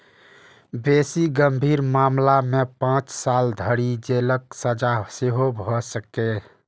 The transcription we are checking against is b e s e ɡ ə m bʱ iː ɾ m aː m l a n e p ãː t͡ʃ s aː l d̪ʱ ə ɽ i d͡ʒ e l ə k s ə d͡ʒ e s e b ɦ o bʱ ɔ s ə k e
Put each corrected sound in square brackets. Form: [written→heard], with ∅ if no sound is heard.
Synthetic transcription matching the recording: b e s [e→i] ɡ ə m bʱ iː ɾ m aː m l a [n→m] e p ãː t͡ʃ s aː l d̪ʱ ə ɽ i d͡ʒ e l ə k s ə d͡ʒ [e→a] s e [b→∅] ɦ o bʱ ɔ s ə k e